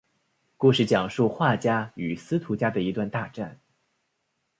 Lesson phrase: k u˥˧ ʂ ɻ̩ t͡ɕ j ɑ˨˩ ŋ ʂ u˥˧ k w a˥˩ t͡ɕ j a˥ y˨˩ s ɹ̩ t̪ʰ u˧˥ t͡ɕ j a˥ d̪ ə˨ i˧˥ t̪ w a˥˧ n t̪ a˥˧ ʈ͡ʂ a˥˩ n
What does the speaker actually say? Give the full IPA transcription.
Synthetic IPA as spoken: k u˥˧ ʂ ɻ̩ t͡ɕ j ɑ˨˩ ŋ ʂ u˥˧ x w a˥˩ t͡ɕ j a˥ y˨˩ s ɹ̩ t̪ʰ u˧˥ t͡ɕ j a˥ d̪ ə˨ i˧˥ t̪ w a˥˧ n t̪ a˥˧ ʈ͡ʂ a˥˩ n